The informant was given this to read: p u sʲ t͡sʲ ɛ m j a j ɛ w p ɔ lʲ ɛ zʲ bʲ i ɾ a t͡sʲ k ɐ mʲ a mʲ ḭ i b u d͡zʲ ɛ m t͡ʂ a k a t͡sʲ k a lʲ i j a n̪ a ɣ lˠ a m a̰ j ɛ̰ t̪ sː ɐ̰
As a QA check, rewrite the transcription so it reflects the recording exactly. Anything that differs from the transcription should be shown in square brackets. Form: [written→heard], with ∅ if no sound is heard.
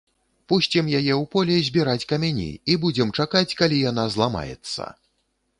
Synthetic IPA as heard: p u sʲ t͡sʲ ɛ m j a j ɛ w p ɔ lʲ ɛ zʲ bʲ i ɾ a t͡sʲ k ɐ mʲ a [mʲ→nʲ] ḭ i b u d͡zʲ ɛ m t͡ʂ a k a t͡sʲ k a lʲ i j a n̪ a [ɣ→z] lˠ a m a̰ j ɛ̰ t̪ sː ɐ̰